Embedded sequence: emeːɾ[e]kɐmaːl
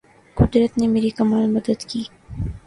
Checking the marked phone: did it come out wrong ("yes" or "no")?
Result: yes